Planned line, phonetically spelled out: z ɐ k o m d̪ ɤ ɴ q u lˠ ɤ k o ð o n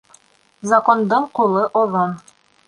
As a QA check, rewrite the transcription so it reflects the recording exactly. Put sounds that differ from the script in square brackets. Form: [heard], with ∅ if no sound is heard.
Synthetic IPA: z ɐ k o [n] d̪ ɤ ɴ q u lˠ ɤ [ʔ] o ð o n